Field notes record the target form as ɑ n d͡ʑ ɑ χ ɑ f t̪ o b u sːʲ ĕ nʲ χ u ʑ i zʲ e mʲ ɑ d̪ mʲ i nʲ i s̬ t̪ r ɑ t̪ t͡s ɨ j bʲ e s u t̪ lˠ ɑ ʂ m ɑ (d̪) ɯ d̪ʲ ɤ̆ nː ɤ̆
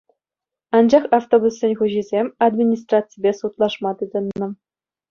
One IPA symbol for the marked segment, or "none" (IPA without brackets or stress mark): t̪